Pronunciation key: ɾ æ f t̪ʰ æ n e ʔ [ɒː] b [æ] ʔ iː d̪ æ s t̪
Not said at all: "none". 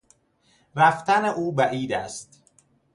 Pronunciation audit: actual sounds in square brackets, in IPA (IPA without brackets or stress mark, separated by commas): uː, æ